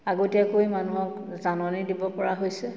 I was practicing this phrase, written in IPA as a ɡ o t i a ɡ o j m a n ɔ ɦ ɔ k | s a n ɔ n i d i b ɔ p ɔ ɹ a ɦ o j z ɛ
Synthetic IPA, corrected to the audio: a ɡ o t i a k o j m a n u ɦ ɔ k | z a n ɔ n i d i b ɔ p ɔ ɹ a ɦ o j s ɛ